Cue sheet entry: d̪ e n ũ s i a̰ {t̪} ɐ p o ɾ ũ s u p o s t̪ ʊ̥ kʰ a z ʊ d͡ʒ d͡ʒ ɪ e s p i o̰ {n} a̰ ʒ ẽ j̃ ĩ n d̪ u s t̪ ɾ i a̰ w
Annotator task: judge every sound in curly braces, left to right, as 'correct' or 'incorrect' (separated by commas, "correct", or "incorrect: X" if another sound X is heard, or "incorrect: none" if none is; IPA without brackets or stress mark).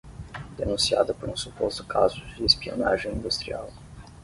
incorrect: d̪, correct